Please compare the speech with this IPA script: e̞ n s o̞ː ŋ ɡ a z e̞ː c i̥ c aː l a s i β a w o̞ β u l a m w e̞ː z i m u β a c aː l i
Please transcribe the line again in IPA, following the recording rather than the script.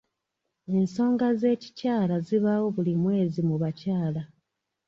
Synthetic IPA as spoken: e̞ n s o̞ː ŋ ɡ a z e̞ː c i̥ c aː l a z i β a w o̞ β u l i m w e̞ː z i m u β a c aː l a